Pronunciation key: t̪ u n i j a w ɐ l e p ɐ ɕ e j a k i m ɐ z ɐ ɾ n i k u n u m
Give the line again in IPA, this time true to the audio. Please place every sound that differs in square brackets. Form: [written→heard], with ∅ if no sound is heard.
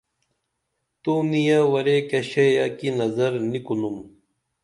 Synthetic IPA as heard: t̪ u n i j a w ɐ [l→ɾ] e [p→k] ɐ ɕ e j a k i [m→n] ɐ z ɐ ɾ n i k u n u m